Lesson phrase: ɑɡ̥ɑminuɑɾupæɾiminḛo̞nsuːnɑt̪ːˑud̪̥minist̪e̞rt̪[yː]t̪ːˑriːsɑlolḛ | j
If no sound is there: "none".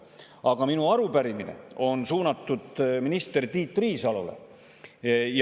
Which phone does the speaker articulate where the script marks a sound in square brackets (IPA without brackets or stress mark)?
iː